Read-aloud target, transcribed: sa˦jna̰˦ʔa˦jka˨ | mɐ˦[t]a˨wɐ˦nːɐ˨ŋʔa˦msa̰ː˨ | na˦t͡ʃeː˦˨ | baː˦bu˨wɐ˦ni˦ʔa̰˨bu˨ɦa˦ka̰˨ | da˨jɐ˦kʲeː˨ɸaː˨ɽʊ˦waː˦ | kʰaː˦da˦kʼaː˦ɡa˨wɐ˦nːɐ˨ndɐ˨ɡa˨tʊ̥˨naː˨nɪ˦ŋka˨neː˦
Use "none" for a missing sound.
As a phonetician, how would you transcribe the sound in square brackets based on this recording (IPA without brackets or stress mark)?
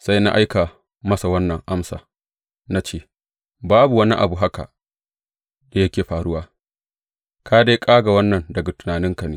s